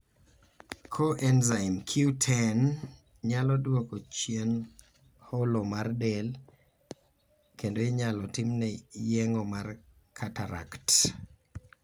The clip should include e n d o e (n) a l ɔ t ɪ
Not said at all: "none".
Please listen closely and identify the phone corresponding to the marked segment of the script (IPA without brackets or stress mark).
ɲ